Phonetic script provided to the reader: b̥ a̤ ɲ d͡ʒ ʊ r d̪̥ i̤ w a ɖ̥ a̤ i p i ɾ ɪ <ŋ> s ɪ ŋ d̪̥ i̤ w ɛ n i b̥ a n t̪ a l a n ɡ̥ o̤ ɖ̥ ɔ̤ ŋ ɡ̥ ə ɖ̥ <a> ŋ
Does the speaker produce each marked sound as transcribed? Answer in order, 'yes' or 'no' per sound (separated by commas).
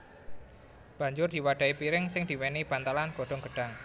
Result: yes, yes